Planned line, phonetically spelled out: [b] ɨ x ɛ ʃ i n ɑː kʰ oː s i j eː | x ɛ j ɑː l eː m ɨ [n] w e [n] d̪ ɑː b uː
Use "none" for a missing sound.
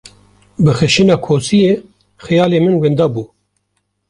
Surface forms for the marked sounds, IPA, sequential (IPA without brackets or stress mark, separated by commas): b, n, n